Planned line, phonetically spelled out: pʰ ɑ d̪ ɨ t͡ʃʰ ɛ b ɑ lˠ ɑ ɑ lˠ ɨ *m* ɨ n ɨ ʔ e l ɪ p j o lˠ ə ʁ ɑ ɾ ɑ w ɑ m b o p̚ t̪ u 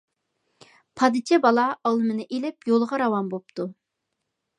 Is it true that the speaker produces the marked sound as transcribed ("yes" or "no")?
yes